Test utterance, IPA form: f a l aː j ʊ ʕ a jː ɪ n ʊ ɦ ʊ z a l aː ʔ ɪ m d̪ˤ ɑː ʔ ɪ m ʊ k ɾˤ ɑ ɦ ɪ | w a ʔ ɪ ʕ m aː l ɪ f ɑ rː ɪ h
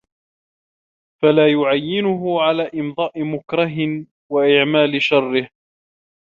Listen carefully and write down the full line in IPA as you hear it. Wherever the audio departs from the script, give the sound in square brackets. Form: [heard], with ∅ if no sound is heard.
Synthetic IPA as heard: f a l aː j ʊ ʕ a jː ɪ n ʊ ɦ ʊ [ʕ] a l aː ʔ ɪ m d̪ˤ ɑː ʔ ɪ m ʊ k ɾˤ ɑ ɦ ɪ | w a ʔ ɪ ʕ m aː l ɪ [ʃ] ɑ rː ɪ h

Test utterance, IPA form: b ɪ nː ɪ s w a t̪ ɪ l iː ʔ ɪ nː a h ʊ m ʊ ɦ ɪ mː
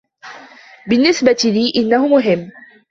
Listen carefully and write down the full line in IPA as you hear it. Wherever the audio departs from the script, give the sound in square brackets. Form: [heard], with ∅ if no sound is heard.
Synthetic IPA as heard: b ɪ nː ɪ s [b] a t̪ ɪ l iː ʔ ɪ nː a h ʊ m ʊ ɦ ɪ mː

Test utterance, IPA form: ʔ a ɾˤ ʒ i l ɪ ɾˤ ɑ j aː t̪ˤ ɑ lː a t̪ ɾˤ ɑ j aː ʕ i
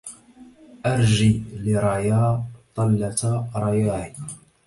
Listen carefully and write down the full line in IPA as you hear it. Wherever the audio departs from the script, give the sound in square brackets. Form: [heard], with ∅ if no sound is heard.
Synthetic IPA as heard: ʔ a ɾˤ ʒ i l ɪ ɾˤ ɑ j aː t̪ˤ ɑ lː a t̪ ɾˤ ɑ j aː ʕ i

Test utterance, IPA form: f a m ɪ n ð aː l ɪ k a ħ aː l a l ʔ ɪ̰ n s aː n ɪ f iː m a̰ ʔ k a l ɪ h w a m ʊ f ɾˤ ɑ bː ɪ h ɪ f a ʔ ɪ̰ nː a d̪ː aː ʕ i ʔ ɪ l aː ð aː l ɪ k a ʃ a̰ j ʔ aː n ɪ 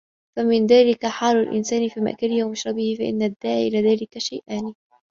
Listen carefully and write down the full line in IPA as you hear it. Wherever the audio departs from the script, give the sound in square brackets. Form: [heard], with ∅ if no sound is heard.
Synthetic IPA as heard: f a m ɪ n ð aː l ɪ k a ħ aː l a l ʔ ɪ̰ n s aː n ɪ f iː m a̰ ʔ k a l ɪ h w a m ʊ [ʃ] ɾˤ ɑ [b] ɪ h ɪ f a ʔ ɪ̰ nː a d̪ː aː ʕ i ʔ ɪ l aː ð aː l ɪ k a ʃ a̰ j ʔ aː n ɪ

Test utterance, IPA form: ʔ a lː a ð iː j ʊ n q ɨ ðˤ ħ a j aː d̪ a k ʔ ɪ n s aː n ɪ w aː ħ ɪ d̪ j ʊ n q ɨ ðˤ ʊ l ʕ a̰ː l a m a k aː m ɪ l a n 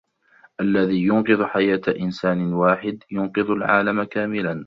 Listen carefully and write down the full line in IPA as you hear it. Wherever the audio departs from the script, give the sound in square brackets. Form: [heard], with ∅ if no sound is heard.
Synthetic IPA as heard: ʔ a lː a ð iː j ʊ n q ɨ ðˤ ħ a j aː [t̪] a [∅] ʔ ɪ n s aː n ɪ w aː ħ ɪ d̪ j ʊ n q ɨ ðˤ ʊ l ʕ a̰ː l a m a k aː m ɪ l a n

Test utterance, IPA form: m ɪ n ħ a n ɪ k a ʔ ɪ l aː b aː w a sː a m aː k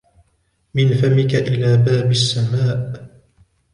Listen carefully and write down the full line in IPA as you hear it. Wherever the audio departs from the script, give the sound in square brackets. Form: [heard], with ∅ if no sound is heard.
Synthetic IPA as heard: m ɪ n [f] a [m] ɪ k a ʔ ɪ l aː b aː [b] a sː a m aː [ʔ]

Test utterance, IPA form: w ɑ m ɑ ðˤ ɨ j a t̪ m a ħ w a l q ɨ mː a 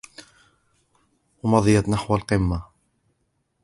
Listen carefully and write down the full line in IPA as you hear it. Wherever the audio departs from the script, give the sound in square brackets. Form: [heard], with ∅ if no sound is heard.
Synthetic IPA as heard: w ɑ m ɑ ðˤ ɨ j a t̪ [n] a ħ w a l q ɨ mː a

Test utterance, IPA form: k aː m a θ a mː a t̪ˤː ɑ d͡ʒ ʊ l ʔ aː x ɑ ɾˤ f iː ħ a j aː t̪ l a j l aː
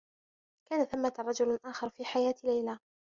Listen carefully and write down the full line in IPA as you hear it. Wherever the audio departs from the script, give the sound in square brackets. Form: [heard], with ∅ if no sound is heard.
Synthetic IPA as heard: k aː [n] a θ a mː a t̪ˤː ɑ d͡ʒ ʊ l ʔ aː x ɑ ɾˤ f iː ħ a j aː t̪ l a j l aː

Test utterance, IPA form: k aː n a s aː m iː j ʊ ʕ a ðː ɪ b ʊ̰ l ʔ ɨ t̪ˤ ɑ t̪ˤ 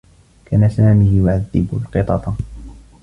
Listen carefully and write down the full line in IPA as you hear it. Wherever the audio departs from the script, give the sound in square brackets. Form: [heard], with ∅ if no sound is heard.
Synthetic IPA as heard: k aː n a s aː m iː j ʊ ʕ a ðː ɪ b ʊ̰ l [q] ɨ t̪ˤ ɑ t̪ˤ

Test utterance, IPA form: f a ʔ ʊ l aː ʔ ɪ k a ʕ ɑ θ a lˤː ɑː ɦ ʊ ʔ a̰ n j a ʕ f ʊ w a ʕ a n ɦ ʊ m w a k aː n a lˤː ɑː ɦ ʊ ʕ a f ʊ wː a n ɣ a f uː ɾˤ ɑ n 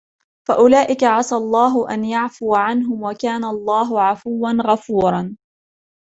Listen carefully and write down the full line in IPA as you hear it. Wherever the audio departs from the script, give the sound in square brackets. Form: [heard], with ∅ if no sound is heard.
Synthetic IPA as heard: f a ʔ ʊ l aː ʔ ɪ k a ʕ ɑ [s] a lˤː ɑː ɦ ʊ ʔ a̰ n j a ʕ f ʊ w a ʕ a n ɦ ʊ m w a k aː n a lˤː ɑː ɦ ʊ ʕ a f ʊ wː a n ɣ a f uː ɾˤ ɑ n

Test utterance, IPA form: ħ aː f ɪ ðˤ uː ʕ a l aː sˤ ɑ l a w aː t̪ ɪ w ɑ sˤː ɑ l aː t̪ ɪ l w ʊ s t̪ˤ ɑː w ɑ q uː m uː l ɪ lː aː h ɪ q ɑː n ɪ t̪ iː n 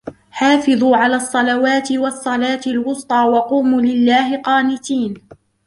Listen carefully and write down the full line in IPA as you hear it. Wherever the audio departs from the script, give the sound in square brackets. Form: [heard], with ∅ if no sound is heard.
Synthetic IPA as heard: ħ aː f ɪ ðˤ uː ʕ a l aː [sˤː] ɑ l a w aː t̪ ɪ w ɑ sˤː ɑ l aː t̪ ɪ l w ʊ s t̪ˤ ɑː w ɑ q uː m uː l ɪ lː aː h ɪ q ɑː n ɪ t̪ iː n

